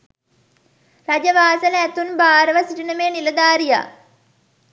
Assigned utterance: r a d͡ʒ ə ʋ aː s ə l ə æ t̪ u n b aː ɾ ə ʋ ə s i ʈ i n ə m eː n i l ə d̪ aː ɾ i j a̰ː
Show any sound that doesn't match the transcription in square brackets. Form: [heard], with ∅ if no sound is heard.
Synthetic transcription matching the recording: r a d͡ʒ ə ʋ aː s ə l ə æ t̪ u n b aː ɾ ə ʋ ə s i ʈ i n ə m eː n i l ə d̪ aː ɾ i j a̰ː